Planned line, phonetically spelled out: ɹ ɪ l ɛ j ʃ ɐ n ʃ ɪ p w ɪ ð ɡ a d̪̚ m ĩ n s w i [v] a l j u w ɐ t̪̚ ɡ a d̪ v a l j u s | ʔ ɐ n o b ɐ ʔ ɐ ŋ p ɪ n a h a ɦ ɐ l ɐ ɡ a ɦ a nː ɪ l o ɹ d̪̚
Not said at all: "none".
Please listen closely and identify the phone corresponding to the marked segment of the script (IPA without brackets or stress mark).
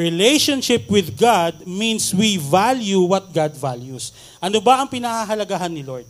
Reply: v